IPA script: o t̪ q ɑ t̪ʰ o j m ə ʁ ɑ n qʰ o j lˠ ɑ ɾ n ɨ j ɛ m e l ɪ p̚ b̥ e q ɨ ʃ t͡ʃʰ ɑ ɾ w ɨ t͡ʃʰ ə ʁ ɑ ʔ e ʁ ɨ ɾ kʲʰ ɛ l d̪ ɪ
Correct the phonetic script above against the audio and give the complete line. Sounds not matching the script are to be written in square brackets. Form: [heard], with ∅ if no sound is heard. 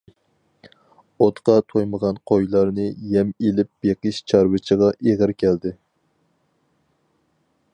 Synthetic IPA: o t̪ q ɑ t̪ʰ o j m ə ʁ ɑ n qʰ o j lˠ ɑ ɾ n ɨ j ɛ m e l ɪ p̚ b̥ e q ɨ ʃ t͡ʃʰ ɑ ɾ w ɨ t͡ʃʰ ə ʁ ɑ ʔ e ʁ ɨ ɾ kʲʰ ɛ l d̪ ɪ